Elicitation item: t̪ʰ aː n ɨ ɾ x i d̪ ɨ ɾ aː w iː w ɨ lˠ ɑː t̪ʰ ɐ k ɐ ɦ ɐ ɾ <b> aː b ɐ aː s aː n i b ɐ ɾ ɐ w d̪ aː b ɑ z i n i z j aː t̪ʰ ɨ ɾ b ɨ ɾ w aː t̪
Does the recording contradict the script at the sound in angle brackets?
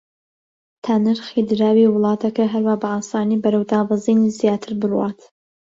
yes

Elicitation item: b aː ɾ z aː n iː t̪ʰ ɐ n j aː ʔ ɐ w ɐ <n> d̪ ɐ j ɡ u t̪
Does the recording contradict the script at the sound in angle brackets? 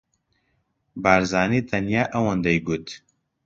no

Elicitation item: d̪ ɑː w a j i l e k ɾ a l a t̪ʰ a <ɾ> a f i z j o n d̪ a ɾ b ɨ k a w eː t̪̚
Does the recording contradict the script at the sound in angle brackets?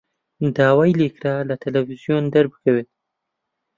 yes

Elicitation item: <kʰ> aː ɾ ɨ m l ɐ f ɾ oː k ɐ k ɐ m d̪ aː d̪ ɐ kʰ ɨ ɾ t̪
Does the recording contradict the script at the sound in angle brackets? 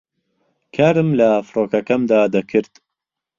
no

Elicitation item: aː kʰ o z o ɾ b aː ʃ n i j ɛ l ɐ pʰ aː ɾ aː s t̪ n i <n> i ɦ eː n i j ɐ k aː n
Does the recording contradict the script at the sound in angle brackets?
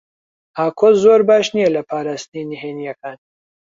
no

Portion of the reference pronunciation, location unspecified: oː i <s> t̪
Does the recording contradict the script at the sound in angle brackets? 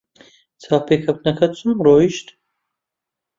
yes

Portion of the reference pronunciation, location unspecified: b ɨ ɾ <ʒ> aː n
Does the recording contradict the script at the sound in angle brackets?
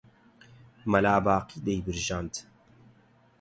no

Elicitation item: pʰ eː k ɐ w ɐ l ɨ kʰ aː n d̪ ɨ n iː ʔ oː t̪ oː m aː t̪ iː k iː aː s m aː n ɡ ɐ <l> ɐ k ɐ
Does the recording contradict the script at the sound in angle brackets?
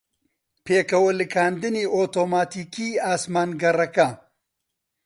yes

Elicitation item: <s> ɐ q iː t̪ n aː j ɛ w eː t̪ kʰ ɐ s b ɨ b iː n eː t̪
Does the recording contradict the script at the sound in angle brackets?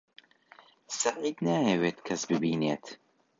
no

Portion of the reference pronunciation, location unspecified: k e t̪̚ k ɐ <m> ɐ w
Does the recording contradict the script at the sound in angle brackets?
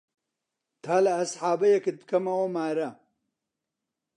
no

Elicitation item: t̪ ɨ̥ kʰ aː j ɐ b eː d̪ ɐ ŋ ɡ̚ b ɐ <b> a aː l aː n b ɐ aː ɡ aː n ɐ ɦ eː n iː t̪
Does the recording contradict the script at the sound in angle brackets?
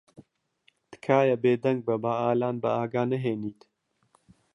no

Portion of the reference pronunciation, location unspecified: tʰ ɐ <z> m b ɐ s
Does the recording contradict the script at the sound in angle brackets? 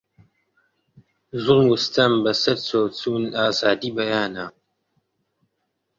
yes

